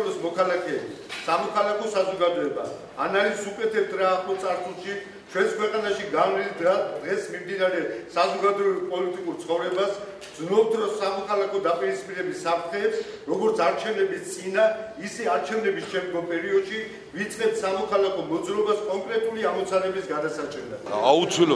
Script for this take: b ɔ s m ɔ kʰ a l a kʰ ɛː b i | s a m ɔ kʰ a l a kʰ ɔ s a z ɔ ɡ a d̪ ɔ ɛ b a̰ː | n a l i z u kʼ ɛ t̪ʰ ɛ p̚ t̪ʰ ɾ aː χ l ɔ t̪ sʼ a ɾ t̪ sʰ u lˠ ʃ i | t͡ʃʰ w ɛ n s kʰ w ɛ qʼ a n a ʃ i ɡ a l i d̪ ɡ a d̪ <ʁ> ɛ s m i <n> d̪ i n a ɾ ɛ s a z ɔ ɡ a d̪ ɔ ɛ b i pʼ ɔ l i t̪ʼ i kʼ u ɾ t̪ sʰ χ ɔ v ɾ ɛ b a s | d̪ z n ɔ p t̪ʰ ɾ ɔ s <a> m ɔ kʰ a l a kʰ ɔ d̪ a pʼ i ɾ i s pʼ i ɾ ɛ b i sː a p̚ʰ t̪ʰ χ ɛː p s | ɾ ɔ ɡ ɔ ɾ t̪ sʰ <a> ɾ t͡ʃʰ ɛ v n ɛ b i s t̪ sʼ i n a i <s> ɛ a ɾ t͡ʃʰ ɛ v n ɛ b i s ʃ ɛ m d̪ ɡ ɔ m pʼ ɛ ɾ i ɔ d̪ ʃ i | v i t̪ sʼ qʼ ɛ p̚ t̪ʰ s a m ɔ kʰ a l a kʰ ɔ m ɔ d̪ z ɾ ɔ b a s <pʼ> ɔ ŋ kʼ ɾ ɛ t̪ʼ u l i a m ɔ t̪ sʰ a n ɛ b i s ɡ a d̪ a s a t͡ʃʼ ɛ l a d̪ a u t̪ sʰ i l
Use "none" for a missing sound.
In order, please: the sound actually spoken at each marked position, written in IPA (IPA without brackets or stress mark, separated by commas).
ʁ, m, a, a, s, kʼ